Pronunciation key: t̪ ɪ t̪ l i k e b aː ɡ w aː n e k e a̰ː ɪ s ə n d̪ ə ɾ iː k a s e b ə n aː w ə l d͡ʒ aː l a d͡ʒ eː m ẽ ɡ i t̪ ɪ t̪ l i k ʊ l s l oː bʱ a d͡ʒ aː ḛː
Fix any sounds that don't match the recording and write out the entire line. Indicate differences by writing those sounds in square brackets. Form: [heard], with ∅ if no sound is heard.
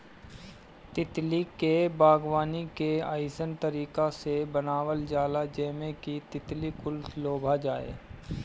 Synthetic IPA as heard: t̪ ɪ t̪ l i k e b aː ɡ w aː n [i] k e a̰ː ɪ s ə n [t̪] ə ɾ iː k a s e b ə n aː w ə l d͡ʒ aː l a d͡ʒ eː m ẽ [k] i t̪ ɪ t̪ l i k ʊ l s l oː bʱ a d͡ʒ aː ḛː